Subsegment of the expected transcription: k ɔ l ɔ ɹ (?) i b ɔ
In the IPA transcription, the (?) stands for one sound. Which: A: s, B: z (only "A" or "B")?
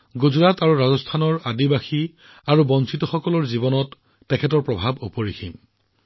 B